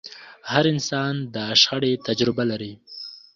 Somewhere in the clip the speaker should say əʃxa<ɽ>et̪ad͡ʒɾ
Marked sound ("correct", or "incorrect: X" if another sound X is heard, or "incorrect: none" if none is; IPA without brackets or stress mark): correct